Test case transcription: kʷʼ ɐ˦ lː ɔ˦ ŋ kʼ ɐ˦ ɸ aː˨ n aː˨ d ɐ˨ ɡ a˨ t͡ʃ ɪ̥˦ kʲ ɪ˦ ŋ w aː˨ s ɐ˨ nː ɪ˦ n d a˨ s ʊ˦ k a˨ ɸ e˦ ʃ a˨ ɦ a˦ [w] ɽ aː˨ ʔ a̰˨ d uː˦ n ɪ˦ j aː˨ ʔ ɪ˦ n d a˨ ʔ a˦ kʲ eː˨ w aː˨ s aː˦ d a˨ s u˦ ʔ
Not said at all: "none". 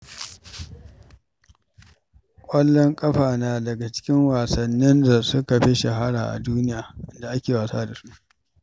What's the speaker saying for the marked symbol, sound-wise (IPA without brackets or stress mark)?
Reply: none